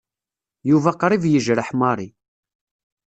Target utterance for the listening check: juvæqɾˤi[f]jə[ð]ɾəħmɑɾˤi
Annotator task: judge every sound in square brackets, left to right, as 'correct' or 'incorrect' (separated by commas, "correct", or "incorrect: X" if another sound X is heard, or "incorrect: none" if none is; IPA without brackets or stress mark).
incorrect: v, incorrect: ʒ